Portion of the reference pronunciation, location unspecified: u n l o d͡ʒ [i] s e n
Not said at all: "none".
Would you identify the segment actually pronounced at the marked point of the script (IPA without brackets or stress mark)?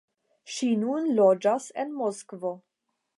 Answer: a